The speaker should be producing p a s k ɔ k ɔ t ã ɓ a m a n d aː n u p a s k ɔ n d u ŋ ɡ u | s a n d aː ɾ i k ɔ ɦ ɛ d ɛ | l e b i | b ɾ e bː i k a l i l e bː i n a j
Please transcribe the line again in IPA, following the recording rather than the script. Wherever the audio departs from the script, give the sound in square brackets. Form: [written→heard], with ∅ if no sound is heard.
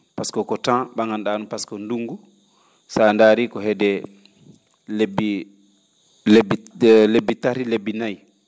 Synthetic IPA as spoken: p a s k ɔ k ɔ t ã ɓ a [m→ŋ] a n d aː n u p a s k ɔ n d u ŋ ɡ u | s a n d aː ɾ i k ɔ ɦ ɛ d ɛ | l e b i | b [ɾ→l] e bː i [k→t] a [l→ɾ] i l e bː i n a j